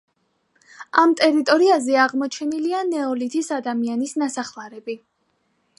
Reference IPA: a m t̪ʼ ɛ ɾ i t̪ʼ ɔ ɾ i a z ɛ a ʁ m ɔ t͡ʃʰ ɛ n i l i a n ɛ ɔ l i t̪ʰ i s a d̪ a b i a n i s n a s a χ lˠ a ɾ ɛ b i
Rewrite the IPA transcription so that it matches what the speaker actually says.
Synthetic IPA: a m t̪ʼ ɛ ɾ i t̪ʼ ɔ ɾ i a z ɛ a ʁ m ɔ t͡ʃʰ ɛ n i l i a n ɛ ɔ l i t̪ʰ i s a d̪ a m i a n i s n a s a χ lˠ a ɾ ɛ b i

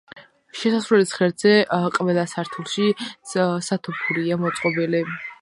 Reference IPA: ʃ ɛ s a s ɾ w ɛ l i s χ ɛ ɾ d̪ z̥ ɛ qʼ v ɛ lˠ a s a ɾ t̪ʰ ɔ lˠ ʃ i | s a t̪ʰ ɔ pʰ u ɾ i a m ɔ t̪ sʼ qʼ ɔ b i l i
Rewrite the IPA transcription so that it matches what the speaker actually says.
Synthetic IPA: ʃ ɛ s a s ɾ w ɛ l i s χ ɛ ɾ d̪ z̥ ɛ qʼ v ɛ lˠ a s a ɾ t̪ʰ u lˠ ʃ i | s a t̪ʰ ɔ pʰ u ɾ i a m ɔ t̪ sʼ qʼ ɔ b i l i

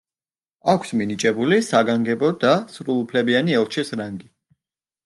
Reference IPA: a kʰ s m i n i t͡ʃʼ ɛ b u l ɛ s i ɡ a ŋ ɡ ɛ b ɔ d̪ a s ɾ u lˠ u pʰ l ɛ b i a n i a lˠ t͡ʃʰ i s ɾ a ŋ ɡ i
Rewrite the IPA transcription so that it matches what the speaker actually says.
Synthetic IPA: a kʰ s m i n i t͡ʃʼ ɛ b u l i s a ɡ a ŋ ɡ ɛ b ɔ d̪ a s ɾ u lˠ u pʰ l ɛ b i a n i ɛ lˠ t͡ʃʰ i s ɾ a ŋ ɡ i

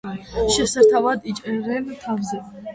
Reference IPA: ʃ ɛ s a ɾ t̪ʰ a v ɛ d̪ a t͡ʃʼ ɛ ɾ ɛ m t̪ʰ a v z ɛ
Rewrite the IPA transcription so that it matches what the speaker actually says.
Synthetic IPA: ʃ ɛ s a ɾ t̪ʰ a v a d̪ i t͡ʃʼ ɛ ɾ ɛ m t̪ʰ a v z ɛ

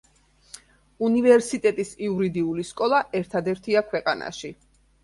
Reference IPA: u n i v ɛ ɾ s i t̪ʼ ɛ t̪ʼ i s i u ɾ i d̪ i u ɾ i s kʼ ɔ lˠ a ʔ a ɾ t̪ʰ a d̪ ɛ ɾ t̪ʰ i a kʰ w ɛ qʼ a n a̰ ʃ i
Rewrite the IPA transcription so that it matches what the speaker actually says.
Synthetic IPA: u n i v ɛ ɾ s i t̪ʼ ɛ t̪ʼ i s i u ɾ i d̪ i u l i s kʼ ɔ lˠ a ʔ ɛ ɾ t̪ʰ a d̪ ɛ ɾ t̪ʰ i a kʰ w ɛ qʼ a n a̰ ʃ i

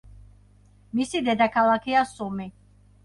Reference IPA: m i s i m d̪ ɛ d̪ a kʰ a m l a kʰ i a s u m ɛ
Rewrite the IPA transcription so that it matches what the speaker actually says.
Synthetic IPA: m i s i d̪ ɛ d̪ a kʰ a l a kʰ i a s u m i

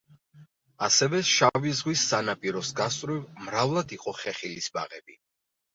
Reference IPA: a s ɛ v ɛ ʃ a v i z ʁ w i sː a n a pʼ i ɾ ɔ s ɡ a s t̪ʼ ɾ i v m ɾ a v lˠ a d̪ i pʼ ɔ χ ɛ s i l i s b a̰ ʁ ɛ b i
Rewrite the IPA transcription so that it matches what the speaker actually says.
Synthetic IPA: a s ɛ v ɛ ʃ a v i z ʁ w i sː a n a pʼ i ɾ ɔ s ɡ a s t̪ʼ ɾ i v m ɾ a v lˠ a d̪ i qʼ ɔ χ ɛ χ i l i s b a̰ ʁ ɛ b i

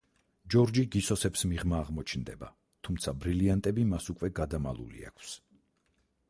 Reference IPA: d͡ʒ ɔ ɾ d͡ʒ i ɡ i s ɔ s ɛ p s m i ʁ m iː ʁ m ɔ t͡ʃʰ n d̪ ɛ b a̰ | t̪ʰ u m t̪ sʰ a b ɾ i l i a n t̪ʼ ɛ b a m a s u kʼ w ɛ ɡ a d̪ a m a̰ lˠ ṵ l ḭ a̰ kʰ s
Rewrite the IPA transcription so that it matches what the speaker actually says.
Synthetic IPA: d͡ʒ ɔ ɾ d͡ʒ i ɡ i s ɔ s ɛ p s m i ʁ m aː ʁ m ɔ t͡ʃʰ n d̪ ɛ b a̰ | t̪ʰ u m t̪ sʰ a b ɾ i l i a n t̪ʼ ɛ b i m a s u kʼ w ɛ ɡ a d̪ a m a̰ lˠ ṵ l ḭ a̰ kʰ s

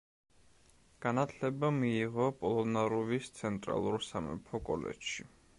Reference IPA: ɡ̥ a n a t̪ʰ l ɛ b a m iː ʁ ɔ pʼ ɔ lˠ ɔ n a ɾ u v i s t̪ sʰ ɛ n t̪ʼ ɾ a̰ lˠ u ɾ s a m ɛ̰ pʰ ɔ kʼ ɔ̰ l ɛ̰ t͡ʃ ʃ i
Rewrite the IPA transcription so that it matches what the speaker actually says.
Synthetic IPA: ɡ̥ a n a t̪ʰ l ɛ b a m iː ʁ ɔ pʼ ɔ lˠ ɔ n a ɾ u v i s t̪ sʰ ɛ n t̪ʼ ɾ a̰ lˠ u ɾ s a m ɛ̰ pʰ ɔ kʼ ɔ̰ l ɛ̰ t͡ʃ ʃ i

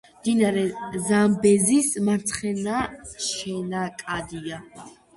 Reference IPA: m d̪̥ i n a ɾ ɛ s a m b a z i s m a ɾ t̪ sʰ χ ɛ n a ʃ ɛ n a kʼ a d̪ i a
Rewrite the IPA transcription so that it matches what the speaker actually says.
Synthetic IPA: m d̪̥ i n a ɾ ɛ z a m b ɛ z i s m a ɾ t̪ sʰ χ ɛ n a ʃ ɛ n a kʼ a d̪ i a

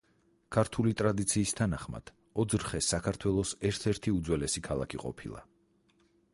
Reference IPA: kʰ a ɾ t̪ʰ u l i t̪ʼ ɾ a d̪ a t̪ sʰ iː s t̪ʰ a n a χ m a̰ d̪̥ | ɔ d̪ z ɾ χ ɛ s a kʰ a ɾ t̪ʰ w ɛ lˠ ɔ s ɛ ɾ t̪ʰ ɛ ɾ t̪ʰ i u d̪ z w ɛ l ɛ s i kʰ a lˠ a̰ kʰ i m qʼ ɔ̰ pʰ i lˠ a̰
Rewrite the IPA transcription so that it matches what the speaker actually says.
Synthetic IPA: kʰ a ɾ t̪ʰ u l i t̪ʼ ɾ a d̪ i t̪ sʰ iː s t̪ʰ a n a χ m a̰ d̪̥ | ɔ d̪ z ɾ χ ɛ s a kʰ a ɾ t̪ʰ w ɛ lˠ ɔ s ɛ ɾ t̪ʰ ɛ ɾ t̪ʰ i u d̪ z w ɛ l ɛ s i kʰ a lˠ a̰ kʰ i qʼ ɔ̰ pʰ i lˠ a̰

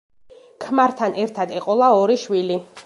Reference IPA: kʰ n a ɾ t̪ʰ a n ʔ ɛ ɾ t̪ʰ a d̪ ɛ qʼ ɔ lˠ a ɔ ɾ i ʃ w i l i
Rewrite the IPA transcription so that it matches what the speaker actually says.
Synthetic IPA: kʰ m a ɾ t̪ʰ a n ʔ ɛ ɾ t̪ʰ a d̪ ɛ qʼ ɔ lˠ a ɔ ɾ i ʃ w i l i

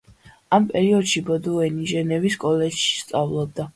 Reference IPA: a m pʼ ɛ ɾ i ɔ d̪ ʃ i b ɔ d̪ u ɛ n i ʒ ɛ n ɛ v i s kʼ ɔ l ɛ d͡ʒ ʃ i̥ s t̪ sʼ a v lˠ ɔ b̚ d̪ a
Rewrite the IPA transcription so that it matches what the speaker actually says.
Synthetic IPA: a m pʼ ɛ ɾ i ɔ d̪ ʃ i b ɔ d̪ u ɛ n i ʒ ɛ n ɛ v i s kʼ ɔ l ɛ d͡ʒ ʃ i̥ s t̪ sʼ a v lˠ ɔ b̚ d̪ a

